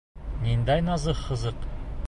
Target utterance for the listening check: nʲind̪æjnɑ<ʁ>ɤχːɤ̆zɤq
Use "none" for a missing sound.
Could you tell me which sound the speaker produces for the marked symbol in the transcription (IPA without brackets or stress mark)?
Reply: z